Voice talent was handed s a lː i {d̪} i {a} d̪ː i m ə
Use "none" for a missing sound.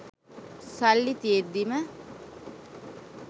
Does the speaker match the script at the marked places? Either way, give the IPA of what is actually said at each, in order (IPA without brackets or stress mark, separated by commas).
t̪, e